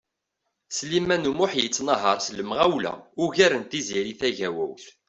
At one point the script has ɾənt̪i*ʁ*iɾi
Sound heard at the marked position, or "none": z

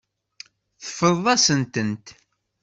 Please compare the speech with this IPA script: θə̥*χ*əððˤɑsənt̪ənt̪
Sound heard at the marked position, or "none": f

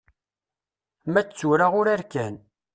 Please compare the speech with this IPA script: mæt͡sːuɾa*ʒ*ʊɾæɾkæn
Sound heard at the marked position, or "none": ʁ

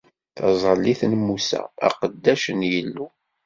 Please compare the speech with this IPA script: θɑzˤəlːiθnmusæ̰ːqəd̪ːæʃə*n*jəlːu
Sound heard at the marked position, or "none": n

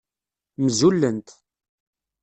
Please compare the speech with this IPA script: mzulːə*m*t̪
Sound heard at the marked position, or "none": n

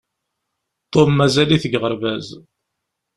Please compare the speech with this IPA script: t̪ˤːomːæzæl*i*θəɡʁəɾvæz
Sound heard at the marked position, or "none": i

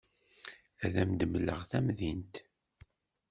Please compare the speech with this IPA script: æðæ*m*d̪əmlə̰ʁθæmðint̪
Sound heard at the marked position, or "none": m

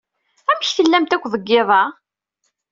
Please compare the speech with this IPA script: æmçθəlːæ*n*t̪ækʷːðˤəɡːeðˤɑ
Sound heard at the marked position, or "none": m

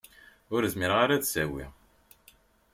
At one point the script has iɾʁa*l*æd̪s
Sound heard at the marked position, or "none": ɾ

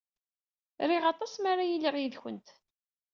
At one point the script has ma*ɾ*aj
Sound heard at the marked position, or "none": ɾ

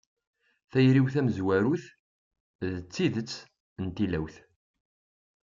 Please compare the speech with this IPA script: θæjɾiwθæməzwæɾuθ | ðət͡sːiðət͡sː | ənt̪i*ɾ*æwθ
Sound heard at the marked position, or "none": l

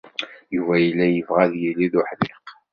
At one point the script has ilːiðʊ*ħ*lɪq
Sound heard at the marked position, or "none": ħ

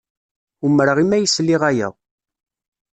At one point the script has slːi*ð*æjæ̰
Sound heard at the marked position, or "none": ʁ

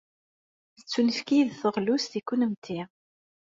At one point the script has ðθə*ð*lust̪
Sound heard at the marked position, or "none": ʁ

